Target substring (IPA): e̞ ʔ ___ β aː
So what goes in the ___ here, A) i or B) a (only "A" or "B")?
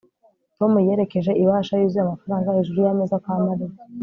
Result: A